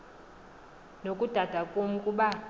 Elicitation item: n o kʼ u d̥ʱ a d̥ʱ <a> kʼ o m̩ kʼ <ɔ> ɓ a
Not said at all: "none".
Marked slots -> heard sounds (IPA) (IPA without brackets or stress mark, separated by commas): a, u